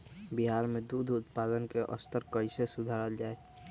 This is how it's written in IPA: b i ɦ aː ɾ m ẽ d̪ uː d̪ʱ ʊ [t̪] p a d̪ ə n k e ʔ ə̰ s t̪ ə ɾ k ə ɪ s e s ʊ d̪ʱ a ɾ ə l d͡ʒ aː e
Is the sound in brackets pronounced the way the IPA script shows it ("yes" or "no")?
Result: yes